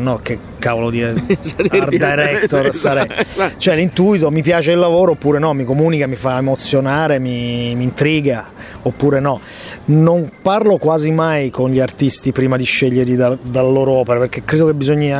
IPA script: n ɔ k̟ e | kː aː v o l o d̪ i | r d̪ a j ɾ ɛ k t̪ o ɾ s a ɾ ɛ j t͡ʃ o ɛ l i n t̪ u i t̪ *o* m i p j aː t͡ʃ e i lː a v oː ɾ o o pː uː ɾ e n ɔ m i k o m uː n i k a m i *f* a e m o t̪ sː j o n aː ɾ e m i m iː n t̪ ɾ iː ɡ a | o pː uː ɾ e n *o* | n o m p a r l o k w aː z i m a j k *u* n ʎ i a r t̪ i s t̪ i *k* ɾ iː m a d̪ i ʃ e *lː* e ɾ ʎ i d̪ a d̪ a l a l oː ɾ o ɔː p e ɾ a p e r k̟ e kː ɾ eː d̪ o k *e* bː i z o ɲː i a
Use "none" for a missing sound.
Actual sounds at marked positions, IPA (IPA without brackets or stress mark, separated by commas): o, f, ɔ, o, p, ʎː, e